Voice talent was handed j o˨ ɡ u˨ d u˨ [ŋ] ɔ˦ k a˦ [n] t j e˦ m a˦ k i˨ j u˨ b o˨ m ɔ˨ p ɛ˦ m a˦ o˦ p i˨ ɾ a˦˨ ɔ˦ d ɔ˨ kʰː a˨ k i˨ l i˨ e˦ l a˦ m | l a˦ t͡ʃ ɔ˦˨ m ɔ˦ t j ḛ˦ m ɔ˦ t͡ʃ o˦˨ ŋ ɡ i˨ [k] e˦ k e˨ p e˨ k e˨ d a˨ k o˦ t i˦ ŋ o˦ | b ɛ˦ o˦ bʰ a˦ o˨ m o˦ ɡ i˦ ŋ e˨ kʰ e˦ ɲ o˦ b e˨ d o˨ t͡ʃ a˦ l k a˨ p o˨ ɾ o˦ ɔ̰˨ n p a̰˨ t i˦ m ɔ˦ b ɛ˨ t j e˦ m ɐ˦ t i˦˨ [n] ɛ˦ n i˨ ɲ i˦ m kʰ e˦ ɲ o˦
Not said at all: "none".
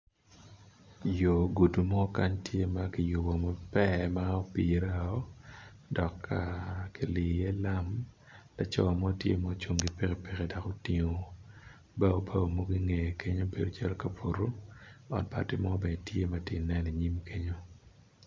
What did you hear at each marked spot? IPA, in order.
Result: m, ɲ, p, n

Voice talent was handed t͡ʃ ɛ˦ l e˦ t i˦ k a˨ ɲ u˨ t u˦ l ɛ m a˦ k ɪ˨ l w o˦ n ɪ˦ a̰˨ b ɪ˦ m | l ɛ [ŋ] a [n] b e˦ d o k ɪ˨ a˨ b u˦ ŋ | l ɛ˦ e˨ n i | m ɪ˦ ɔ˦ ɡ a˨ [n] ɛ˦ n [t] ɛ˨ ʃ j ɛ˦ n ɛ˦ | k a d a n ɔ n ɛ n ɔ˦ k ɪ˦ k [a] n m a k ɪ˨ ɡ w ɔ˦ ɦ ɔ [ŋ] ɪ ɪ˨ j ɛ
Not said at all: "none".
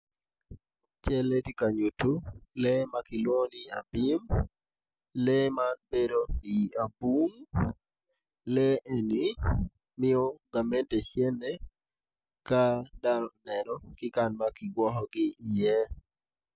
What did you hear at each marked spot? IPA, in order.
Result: m, n, m, t, a, ɡ

